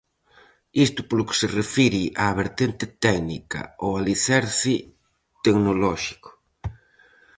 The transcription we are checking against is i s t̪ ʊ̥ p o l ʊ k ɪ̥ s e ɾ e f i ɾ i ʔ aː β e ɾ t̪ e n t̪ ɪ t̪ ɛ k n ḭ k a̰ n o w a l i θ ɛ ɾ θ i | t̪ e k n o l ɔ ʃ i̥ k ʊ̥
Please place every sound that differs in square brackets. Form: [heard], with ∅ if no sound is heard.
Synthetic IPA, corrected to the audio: i s t̪ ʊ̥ p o l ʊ k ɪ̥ s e [r] e f i ɾ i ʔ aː β e ɾ t̪ e n t̪ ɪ t̪ ɛ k n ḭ k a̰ [∅] o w a l i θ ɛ ɾ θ i | t̪ e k n o l ɔ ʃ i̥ k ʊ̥